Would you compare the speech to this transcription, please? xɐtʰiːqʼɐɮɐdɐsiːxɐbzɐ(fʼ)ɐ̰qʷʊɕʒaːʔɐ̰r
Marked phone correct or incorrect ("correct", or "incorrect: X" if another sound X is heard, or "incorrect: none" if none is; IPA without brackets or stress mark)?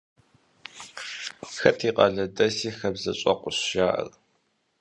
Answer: incorrect: ɕʼ